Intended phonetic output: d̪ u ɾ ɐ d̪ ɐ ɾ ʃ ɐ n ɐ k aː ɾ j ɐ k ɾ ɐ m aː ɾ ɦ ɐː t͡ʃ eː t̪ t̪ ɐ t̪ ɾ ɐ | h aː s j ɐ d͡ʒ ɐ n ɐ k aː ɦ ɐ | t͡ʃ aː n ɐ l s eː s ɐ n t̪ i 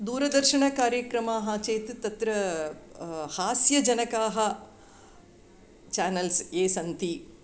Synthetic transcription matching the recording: d̪ uː ɾ ɐ d̪ ɐ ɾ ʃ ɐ ɳ ɐ k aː ɾ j ɐ k ɾ ɐ m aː ɦ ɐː t͡ʃ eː t̪ t̪ ɐ t̪ ɾ ɐ | h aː s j ɐ d͡ʒ ɐ n ɐ k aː ɦ ɐ | t͡ʃ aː n ɐ l s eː s ɐ n t̪ i

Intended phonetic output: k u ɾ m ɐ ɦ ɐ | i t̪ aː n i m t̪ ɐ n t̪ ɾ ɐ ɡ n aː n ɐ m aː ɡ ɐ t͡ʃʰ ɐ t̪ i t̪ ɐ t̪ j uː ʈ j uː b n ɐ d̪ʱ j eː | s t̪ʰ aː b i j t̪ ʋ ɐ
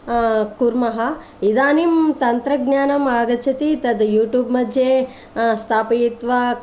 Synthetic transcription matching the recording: k u ɾ m ɐ ɦ ɐ | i d̪ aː n i m t̪ ɐ n t̪ ɾ ɐ ɡ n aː n ɐ m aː ɡ ɐ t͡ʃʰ ɐ t̪ i t̪ ɐ d̪ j uː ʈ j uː b m ɐ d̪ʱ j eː | s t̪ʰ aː p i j t̪ ʋ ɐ

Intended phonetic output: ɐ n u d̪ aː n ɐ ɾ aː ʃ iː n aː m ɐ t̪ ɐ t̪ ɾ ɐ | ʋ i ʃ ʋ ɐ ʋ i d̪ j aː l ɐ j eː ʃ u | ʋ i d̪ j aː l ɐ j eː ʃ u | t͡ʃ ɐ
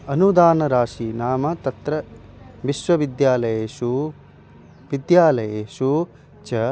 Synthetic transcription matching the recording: ɐ n u d̪ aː n ɐ ɾ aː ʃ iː n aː m ɐ t̪ ɐ t̪ ɾ ɐ | ʋ i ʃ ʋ ɐ ʋ i d̪ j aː l ɐ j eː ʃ u | ʋ i d̪ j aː l ɐ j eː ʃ u | t͡ʃ ɐ

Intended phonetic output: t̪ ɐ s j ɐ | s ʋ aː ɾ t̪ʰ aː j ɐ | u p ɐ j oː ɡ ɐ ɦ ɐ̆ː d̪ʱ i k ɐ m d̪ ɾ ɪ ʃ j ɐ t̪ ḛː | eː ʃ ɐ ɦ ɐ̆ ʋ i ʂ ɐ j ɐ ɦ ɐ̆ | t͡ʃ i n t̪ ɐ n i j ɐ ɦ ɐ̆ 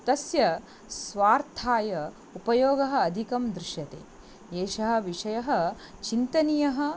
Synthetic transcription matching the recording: t̪ ɐ s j ɐ | s ʋ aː ɾ t̪ʰ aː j ɐ | u p ɐ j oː ɡ ɐ ɦ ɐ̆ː d̪ʱ i k ɐ m d̪ ɾ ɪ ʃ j ɐ t̪ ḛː | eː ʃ ɐ ɦ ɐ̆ ʋ i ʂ ɐ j ɐ ɦ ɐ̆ | t͡ʃ i n t̪ ɐ n i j ɐ ɦ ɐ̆

